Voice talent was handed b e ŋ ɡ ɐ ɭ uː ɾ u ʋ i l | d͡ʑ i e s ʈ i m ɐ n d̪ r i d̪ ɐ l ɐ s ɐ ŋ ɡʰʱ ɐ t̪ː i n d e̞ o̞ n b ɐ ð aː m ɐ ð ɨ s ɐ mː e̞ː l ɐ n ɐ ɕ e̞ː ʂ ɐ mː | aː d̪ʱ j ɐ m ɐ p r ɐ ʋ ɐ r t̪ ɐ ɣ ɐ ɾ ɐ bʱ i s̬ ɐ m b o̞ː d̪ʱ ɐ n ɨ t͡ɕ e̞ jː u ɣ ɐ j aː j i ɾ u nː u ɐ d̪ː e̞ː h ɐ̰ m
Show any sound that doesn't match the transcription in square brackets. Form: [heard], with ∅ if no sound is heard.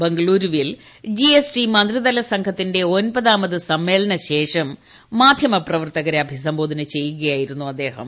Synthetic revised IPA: b e ŋ ɡ ɐ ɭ uː ɾ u ʋ i l | d͡ʑ i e s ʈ i m ɐ n d̪ r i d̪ ɐ l ɐ s ɐ ŋ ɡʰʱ ɐ t̪ː i n d e̞ o̞ n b ɐ ð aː m ɐ ð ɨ s ɐ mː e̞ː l ɐ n ɐ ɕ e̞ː ʂ ɐ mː | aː d̪ʱ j ɐ m ɐ p r ɐ ʋ ɐ r t̪ ɐ ɣ ɐ ɾ ɐ bʱ i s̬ ɐ m b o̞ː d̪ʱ ɐ n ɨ t͡ɕ e̞ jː u ɣ ɐ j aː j i ɾ u nː u ɐ d̪ː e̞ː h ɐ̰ m